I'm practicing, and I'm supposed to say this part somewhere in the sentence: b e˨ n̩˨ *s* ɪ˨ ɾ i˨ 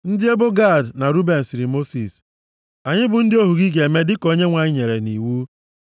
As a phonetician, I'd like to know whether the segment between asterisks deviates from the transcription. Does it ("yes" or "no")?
no